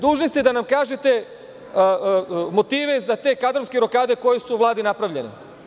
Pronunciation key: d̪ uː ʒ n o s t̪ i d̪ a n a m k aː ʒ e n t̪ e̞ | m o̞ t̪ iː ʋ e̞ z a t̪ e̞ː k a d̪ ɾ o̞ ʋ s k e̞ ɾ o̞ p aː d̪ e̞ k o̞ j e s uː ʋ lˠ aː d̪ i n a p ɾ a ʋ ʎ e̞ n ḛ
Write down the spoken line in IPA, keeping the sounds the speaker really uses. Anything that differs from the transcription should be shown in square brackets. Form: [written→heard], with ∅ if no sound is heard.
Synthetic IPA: d̪ uː ʒ n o s t̪ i d̪ a n a m k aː ʒ e [n→∅] t̪ e̞ | m o̞ t̪ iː ʋ e̞ z a t̪ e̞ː k a d̪ ɾ o̞ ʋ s k e̞ ɾ o̞ [p→k] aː d̪ e̞ k o̞ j e s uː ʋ lˠ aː d̪ i n a p ɾ a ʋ ʎ e̞ n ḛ